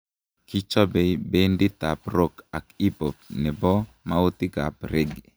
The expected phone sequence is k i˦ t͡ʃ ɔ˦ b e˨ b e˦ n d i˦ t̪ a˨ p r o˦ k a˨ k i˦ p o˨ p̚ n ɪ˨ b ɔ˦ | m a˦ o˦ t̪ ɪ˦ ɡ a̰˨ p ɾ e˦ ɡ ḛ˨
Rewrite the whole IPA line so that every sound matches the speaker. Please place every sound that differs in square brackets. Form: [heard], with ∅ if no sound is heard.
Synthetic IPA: k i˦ t͡ʃ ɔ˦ b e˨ b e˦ n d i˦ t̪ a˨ p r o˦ k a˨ k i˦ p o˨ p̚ n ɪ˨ b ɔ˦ | m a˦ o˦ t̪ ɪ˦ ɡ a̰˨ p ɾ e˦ ɡ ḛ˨